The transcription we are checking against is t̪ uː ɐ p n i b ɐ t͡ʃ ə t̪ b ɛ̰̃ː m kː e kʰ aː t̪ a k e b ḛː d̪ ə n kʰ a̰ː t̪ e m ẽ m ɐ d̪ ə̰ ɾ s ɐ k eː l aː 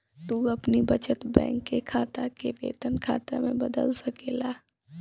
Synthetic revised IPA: t̪ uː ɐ p n i b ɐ t͡ʃ ə t̪ b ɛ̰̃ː ŋ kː e kʰ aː t̪ a k e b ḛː t̪ ə n kʰ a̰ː t̪ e m ẽ b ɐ d̪ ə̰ l s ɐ k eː l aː